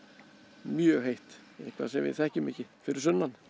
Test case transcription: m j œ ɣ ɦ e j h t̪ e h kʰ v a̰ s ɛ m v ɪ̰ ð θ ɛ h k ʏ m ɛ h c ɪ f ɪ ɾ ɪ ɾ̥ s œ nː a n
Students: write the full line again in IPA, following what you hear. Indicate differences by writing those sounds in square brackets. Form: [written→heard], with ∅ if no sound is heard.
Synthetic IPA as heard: m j œ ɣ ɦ e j h t̪ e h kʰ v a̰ s ɛ m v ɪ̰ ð θ ɛ h [k→c] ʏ m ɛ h c ɪ f ɪ ɾ ɪ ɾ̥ s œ nː a n